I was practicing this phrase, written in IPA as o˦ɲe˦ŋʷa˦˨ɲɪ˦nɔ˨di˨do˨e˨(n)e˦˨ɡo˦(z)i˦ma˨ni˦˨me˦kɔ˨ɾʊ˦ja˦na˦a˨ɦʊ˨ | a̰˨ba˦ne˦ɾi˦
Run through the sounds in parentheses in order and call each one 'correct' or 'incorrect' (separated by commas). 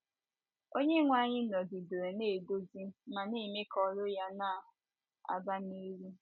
correct, correct